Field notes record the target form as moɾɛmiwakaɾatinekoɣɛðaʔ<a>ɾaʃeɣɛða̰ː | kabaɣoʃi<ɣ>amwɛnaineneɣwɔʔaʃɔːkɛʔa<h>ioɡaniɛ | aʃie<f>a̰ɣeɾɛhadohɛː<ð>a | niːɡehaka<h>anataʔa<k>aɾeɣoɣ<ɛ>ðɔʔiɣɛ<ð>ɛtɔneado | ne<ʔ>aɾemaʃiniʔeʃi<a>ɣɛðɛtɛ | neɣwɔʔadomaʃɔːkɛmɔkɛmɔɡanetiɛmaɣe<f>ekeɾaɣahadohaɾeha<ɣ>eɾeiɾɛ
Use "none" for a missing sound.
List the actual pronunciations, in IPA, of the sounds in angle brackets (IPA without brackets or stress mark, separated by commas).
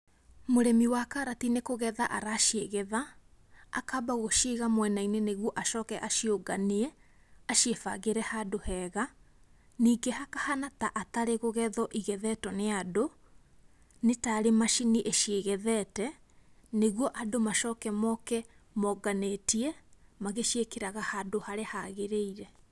a, ɣ, ʃ, f, ɣ, h, t, ɛ, ð, t, e, ʃ, ɣ